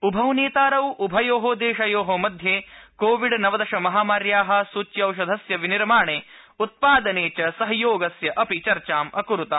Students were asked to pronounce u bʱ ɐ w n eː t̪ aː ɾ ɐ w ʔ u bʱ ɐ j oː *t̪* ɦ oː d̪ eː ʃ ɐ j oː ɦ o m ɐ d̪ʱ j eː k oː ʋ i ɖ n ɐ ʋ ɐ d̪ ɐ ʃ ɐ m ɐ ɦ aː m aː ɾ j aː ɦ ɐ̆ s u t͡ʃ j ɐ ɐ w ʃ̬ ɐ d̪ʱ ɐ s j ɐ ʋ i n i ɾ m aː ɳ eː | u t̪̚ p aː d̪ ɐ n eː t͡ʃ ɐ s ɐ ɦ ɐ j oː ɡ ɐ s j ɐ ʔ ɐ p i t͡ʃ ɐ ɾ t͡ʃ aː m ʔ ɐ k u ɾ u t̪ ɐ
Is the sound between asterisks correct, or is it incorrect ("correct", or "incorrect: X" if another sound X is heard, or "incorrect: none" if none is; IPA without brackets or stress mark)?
incorrect: none